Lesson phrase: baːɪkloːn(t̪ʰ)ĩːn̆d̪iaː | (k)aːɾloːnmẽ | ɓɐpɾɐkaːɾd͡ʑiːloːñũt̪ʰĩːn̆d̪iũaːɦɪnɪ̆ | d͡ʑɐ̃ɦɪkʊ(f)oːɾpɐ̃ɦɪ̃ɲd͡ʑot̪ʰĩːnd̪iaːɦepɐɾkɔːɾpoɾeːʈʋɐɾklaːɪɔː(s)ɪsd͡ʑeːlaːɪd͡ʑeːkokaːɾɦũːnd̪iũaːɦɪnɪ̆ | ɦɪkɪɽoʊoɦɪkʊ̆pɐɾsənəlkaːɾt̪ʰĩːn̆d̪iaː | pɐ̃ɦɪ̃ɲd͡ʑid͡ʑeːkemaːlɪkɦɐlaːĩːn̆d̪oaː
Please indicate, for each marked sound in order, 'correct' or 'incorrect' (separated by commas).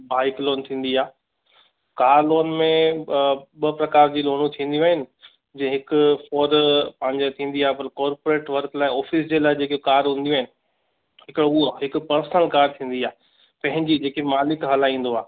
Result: correct, correct, correct, incorrect